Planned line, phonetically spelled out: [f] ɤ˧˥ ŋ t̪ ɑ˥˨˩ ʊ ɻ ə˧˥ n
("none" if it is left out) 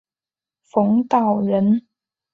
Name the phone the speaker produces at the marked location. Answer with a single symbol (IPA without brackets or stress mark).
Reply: f